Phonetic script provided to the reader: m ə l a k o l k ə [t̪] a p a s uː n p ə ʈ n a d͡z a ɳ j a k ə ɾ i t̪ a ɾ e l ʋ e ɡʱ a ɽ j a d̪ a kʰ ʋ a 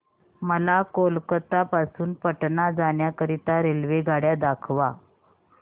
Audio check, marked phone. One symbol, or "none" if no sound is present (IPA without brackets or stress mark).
t̪